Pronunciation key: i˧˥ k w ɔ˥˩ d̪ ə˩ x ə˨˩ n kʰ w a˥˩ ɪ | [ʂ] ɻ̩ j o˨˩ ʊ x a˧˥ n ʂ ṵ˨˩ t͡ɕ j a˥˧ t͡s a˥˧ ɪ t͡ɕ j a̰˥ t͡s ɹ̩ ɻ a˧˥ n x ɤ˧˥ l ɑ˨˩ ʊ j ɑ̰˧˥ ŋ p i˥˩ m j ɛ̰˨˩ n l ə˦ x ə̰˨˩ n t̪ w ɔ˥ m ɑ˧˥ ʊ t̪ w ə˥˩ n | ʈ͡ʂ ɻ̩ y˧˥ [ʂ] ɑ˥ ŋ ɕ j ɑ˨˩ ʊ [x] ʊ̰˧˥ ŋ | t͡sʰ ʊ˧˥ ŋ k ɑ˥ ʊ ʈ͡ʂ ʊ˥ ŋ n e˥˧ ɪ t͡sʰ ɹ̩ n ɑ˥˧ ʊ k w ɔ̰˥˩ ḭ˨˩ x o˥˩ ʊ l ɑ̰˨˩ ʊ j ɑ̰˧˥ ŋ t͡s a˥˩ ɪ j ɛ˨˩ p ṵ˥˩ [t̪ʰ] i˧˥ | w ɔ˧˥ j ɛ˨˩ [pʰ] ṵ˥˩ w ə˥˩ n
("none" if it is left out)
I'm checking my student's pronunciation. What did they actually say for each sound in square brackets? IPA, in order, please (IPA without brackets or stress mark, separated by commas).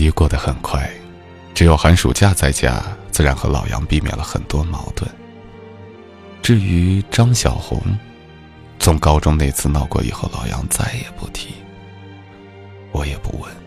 ʈ͡ʂ, ʈ͡ʂ, x, t̪ʰ, p